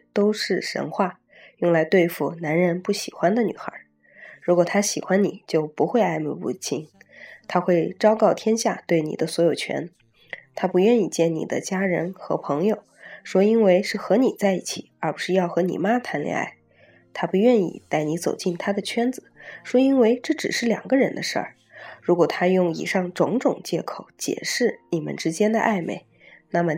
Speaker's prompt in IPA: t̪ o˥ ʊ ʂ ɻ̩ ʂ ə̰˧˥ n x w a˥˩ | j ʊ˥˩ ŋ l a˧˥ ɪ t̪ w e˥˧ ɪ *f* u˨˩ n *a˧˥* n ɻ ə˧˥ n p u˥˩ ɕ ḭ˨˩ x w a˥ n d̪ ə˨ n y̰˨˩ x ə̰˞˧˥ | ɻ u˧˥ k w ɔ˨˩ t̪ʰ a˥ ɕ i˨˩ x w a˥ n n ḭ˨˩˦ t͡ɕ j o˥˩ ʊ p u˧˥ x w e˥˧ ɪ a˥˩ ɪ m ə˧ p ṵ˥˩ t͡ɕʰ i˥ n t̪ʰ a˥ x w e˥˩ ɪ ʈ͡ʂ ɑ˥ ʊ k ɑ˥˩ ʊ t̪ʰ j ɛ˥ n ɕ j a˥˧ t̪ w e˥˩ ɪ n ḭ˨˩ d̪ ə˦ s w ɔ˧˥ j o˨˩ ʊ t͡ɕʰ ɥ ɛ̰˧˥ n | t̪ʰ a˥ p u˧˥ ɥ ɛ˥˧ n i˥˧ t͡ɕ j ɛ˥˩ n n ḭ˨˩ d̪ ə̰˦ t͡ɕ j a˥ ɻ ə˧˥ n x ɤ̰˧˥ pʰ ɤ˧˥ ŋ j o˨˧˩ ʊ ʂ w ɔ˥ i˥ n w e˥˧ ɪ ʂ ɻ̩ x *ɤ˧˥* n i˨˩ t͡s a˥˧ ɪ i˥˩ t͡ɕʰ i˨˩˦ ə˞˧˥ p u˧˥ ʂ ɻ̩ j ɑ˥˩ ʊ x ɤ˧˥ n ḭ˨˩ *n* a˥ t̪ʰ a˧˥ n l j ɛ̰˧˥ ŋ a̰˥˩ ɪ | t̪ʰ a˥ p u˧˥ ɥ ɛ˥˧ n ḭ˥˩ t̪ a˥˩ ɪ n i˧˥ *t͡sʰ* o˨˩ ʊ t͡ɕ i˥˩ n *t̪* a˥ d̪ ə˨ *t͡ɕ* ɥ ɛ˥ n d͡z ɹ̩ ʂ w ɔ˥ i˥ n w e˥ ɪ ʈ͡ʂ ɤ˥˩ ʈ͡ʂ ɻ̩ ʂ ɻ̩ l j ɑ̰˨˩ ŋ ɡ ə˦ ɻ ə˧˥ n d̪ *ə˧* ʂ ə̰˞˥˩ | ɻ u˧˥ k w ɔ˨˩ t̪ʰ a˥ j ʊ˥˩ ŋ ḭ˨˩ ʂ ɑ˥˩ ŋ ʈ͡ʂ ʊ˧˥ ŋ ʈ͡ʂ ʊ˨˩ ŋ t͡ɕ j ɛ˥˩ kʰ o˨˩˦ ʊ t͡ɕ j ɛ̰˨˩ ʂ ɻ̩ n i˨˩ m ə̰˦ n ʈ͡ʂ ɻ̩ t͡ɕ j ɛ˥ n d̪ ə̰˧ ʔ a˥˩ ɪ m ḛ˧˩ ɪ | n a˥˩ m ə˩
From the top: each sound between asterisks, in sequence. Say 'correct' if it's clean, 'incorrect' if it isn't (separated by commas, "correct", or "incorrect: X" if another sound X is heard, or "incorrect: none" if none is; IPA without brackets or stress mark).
correct, correct, correct, incorrect: m, incorrect: t͡s, incorrect: t̪ʰ, incorrect: t͡ɕʰ, correct